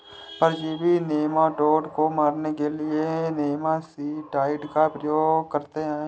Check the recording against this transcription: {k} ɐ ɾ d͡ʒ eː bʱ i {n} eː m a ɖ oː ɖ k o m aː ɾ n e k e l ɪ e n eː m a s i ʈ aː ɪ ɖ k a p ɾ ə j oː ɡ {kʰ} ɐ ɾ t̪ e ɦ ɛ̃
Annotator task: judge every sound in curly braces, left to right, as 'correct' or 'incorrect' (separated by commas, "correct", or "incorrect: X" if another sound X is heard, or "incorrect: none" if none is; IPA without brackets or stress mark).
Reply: incorrect: p, correct, incorrect: k